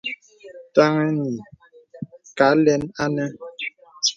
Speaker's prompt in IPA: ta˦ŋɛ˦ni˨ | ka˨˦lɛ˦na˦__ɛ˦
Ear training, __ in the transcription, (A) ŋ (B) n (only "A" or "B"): B